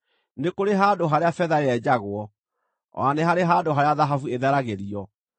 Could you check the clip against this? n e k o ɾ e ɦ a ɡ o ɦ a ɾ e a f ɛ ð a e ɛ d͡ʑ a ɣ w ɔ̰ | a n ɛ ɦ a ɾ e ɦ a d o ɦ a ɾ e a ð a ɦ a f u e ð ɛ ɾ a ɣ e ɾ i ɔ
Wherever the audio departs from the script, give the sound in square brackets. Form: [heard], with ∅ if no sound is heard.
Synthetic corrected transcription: n e k o ɾ e ɦ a [d] o ɦ a ɾ e a f ɛ ð a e ɛ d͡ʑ a ɣ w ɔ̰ | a n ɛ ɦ a ɾ e ɦ a d o ɦ a ɾ e a ð a ɦ a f u e ð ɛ ɾ a ɣ e ɾ i ɔ